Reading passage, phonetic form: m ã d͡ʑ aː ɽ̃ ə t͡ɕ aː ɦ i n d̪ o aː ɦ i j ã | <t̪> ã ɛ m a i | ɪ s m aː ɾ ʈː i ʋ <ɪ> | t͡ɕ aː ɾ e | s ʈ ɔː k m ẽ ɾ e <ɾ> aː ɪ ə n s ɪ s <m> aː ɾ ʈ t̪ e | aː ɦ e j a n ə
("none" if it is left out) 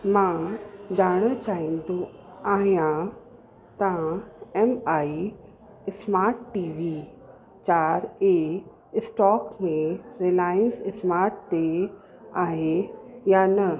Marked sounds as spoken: t̪, i, l, m

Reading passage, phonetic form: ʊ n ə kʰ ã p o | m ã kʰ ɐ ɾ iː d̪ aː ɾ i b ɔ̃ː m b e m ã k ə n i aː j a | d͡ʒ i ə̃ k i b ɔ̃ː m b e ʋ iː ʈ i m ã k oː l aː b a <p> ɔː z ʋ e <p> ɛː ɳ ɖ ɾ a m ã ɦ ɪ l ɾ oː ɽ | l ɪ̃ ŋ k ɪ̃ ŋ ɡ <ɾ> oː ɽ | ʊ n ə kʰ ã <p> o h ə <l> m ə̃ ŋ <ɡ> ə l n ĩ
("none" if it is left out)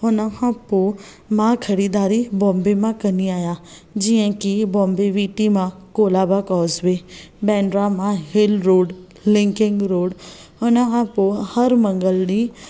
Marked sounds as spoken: k, b, ɾ, p, ɾ, ɡ

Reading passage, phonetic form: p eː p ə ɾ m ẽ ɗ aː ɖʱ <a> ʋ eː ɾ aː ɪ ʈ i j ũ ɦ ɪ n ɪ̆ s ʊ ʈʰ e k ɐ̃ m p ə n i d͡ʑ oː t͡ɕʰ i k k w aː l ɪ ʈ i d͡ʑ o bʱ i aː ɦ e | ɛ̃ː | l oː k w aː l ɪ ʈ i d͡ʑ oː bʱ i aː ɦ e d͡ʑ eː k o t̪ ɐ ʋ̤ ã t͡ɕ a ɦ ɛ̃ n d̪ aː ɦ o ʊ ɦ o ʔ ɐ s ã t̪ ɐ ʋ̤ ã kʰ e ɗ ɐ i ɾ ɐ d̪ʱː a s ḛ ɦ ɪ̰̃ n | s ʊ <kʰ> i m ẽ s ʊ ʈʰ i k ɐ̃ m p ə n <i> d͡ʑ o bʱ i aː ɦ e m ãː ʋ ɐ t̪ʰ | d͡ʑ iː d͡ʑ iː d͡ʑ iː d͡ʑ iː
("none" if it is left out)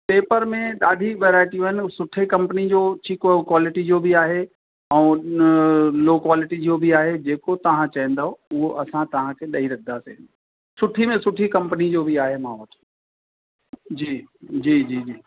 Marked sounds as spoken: i, ʈʰ, i

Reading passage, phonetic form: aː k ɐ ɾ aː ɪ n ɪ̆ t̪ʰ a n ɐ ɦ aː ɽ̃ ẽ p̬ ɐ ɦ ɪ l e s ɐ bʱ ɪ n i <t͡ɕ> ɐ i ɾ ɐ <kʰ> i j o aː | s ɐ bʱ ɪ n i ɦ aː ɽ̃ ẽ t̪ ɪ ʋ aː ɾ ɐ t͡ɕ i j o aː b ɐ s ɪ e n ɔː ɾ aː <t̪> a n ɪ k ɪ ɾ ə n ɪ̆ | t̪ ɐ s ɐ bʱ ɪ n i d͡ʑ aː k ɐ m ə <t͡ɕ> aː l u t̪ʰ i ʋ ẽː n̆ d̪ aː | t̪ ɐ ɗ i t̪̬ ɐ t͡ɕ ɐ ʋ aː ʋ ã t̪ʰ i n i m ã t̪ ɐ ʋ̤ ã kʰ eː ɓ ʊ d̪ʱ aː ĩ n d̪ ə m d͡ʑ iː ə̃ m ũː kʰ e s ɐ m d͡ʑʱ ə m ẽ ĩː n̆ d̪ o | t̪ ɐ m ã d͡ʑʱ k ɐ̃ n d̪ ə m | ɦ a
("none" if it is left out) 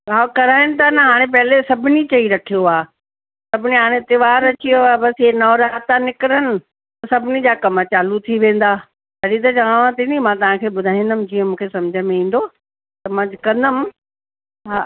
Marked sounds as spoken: t͡ɕ, kʰ, t̪, t͡ɕ

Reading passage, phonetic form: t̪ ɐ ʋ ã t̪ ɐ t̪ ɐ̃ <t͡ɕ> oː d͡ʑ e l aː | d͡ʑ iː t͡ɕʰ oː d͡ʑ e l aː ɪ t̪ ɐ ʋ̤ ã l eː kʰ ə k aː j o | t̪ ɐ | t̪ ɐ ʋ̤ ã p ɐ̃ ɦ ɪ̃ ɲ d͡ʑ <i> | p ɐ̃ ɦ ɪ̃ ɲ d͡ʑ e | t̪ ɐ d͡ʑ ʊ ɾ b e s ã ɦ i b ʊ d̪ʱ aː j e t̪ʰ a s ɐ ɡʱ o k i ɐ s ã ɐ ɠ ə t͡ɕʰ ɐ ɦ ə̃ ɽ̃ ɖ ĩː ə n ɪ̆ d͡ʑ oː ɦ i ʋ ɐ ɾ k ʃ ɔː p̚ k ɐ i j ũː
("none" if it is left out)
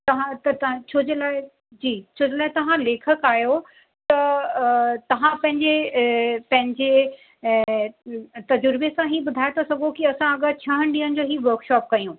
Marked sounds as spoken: t͡ɕʰ, e

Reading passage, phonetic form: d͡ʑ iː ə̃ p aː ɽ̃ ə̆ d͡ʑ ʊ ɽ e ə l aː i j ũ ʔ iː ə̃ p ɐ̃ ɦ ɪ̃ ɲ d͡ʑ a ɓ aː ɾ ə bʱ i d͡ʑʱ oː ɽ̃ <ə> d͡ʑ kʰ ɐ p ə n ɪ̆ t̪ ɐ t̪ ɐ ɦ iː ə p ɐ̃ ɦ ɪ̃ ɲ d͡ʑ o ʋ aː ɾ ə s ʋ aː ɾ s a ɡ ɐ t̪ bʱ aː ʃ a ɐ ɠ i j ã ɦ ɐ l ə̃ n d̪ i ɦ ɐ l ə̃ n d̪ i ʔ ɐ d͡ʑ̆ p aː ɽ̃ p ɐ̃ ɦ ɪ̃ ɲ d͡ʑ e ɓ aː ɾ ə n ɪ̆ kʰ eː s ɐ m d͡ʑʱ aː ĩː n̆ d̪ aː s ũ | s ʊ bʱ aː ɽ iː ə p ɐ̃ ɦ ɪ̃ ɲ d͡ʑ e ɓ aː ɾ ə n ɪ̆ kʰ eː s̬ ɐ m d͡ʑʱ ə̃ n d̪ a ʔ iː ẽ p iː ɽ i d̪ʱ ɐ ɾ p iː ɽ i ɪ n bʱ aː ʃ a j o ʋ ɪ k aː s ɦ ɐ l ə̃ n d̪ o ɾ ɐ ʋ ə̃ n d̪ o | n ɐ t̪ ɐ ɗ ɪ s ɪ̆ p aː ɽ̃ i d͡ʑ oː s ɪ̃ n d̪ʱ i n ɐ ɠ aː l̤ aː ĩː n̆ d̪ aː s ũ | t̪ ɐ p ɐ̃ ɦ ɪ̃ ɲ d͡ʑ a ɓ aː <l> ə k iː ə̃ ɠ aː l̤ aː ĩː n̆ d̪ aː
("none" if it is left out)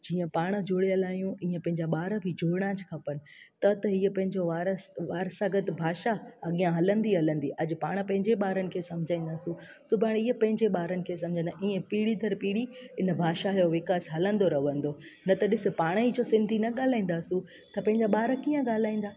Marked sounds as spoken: a, ɾ

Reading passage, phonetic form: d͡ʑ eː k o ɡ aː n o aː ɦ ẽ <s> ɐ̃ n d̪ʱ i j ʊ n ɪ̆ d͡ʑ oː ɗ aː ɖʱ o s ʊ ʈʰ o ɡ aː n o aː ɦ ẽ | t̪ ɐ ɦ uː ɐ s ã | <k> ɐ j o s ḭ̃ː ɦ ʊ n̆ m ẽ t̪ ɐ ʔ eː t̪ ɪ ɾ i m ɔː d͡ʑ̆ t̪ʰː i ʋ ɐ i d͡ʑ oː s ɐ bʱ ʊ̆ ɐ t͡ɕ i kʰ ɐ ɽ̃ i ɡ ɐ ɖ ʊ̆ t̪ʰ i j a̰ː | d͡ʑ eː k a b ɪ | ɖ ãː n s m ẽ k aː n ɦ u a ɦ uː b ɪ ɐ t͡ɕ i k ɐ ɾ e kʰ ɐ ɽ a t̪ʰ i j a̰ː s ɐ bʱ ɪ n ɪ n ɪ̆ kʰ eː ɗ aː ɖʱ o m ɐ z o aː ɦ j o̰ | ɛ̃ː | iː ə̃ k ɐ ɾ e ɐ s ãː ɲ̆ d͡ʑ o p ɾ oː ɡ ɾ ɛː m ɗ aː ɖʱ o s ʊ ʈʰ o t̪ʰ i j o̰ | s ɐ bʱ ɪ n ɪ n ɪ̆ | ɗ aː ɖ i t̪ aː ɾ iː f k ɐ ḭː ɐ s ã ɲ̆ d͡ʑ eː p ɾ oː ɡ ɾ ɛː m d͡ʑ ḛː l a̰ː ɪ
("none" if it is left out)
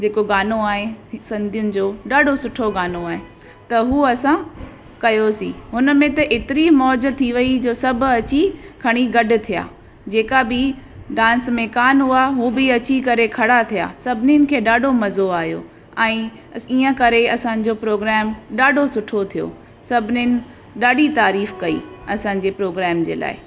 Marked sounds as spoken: s, k

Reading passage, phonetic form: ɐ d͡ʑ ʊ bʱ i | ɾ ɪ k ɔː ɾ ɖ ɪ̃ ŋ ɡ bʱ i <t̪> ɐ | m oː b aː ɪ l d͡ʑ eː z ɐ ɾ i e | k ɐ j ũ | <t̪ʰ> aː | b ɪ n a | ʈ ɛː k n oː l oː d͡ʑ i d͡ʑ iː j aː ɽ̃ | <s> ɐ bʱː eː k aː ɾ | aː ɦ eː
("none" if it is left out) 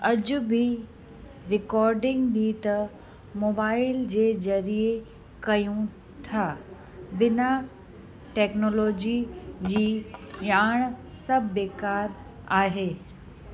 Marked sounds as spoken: t̪, t̪ʰ, s

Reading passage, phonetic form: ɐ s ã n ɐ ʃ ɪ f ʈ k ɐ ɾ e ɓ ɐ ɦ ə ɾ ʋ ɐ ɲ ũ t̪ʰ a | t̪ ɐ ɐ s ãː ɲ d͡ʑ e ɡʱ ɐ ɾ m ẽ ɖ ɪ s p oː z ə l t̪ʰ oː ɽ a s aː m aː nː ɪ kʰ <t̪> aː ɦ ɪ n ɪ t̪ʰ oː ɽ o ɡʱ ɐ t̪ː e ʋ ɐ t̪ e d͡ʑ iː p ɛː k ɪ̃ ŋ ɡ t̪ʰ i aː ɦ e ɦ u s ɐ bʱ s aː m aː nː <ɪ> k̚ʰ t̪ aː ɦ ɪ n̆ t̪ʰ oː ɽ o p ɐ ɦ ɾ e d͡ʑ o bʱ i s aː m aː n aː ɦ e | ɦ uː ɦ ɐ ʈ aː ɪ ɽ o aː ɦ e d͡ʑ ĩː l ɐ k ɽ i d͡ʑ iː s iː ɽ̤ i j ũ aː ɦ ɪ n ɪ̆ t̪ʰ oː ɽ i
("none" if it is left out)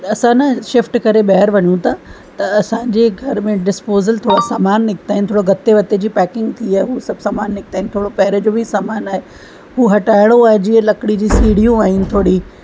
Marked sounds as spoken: t̪, ɪ

